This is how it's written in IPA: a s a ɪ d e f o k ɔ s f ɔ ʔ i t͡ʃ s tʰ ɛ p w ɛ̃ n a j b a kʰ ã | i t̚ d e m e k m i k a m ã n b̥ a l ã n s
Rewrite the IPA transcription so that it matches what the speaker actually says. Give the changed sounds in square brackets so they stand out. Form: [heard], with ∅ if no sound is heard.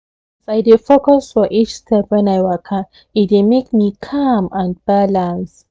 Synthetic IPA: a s a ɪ d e f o k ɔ s f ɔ ʔ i t͡ʃ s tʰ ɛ p w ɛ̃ n a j [w] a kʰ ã | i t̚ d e m e k m i [kʰ] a m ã n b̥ a l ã n s